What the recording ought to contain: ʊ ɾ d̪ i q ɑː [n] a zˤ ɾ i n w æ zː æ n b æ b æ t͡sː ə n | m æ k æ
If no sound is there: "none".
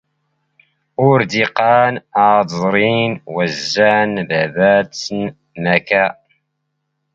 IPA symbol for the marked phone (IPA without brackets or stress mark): n